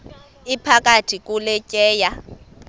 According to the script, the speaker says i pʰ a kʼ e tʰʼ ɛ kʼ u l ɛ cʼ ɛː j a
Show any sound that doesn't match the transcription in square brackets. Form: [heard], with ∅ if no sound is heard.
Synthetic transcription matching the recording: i pʰ a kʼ [a] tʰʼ [i] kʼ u l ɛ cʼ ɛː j a